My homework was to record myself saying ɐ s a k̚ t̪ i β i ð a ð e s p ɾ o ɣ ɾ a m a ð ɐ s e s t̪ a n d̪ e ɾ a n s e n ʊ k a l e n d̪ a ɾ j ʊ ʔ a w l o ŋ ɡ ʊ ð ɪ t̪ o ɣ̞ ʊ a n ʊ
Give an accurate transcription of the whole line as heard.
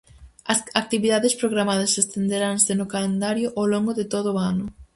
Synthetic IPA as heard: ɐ s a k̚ t̪ i β i ð a ð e s p ɾ o ɣ ɾ a m a ð ɐ s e s t̪ e n d̪ e ɾ a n s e n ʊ k a l e n d̪ a ɾ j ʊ ʔ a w l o ŋ ɡ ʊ ð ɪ t̪ o ð̞ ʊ a n ʊ